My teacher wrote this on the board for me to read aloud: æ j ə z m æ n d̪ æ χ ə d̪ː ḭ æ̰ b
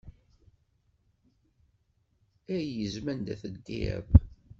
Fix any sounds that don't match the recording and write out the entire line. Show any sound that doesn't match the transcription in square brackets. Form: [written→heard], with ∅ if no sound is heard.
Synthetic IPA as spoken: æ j ə z m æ n d̪ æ [χ→θ] ə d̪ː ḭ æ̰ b